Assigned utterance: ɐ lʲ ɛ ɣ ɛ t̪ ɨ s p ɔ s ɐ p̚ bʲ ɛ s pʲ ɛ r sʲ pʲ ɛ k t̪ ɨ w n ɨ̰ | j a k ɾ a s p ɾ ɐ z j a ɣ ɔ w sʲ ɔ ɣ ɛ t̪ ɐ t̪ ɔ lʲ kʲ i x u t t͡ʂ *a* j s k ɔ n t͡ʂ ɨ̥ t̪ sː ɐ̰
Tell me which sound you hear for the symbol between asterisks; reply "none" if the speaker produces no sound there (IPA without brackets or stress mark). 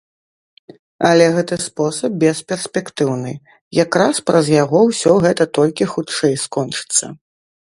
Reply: ɛ